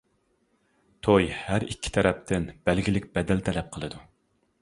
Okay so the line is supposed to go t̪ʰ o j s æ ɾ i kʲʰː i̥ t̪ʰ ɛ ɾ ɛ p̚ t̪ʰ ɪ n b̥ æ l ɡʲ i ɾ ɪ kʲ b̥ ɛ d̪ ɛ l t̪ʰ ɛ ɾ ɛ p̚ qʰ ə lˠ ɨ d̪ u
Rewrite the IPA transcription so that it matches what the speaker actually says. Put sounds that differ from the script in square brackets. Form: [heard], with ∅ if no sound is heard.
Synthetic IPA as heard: t̪ʰ o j [h] æ ɾ i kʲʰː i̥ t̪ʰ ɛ ɾ ɛ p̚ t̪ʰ ɪ n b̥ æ l ɡʲ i [l] ɪ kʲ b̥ ɛ d̪ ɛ l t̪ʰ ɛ [l] ɛ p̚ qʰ ə lˠ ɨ d̪ u